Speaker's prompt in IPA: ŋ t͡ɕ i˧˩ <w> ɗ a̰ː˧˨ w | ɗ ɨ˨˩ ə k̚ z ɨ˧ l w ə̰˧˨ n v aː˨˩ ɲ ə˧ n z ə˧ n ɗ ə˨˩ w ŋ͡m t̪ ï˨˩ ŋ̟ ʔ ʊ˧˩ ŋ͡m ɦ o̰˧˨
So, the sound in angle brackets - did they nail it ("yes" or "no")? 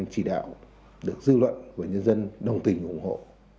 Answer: no